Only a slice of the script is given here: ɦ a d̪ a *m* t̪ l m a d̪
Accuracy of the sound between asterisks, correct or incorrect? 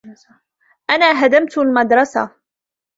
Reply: correct